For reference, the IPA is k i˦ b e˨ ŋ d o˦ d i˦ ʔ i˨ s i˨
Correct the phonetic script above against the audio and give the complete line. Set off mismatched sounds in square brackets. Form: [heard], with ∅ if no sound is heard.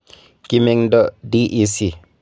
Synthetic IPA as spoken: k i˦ [m] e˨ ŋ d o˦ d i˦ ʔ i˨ s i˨